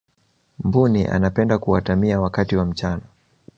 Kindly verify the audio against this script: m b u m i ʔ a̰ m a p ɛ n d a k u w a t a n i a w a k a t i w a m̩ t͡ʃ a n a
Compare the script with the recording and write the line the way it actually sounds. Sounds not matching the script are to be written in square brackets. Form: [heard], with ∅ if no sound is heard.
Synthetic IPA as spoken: m b u [n] i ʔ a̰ [n] a p ɛ n d a k u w a t a [m] i a w a k a t i w a m̩ t͡ʃ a n a